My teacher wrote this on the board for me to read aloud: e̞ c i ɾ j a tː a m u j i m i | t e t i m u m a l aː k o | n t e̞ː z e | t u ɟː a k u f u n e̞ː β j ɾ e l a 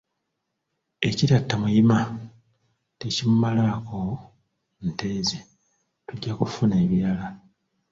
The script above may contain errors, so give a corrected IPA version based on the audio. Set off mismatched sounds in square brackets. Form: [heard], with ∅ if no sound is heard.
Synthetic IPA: e̞ c i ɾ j a tː a m u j i m [a] | t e [c] i m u m a l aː k o | n t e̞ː z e | t u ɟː a k u f u n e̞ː β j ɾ [a] l a